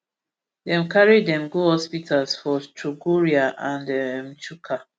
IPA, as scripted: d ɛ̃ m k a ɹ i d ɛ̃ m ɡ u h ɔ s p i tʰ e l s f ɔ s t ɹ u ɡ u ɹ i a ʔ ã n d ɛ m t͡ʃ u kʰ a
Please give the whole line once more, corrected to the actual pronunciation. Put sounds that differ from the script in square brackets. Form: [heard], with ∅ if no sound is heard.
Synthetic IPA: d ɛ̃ m k a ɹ i d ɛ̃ m ɡ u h ɔ s p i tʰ [a] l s f ɔ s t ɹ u ɡ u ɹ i a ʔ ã n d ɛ m t͡ʃ u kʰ a